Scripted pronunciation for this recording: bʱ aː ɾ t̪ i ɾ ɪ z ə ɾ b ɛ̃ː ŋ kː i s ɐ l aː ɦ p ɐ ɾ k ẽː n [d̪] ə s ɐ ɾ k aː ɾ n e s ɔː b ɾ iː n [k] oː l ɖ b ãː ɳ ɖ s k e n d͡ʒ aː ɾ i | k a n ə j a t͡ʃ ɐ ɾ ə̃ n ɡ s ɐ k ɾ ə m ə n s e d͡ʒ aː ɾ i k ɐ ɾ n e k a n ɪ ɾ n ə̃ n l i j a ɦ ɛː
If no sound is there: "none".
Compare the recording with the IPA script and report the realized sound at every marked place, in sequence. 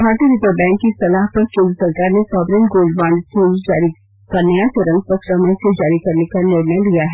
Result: d̪, ɡ

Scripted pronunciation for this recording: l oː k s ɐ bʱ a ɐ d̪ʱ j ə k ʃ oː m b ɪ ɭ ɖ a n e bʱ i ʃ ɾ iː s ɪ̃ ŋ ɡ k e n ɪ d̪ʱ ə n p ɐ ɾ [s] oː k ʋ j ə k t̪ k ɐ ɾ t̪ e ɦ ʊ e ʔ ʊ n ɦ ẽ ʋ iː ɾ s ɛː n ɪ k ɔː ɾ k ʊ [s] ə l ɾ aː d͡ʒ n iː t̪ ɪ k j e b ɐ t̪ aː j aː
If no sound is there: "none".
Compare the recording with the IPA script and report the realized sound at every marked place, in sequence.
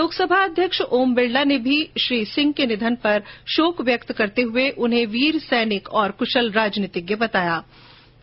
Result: ʃ, ʃ

